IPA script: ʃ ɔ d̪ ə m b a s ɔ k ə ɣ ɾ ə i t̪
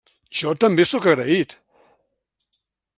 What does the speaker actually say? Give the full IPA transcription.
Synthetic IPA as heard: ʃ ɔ t̪ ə m b e s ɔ k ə ɣ ɾ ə i t̪